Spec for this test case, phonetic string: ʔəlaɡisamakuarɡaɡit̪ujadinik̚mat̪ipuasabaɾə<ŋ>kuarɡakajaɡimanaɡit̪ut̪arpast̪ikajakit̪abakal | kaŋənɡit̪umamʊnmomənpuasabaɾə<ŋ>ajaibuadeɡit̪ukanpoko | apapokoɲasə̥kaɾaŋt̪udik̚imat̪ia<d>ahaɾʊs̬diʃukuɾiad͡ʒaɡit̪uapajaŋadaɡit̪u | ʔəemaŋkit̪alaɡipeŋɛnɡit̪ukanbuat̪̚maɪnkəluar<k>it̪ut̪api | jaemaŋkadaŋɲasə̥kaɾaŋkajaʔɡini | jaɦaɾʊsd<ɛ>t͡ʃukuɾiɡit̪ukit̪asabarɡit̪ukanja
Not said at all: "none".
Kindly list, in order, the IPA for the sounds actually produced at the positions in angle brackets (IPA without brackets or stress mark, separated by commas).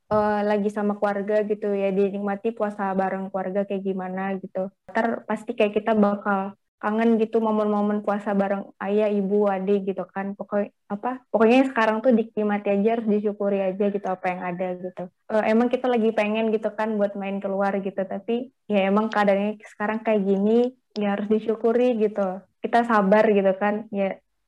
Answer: ŋ, ŋ, d͡ʒ, ɡ, i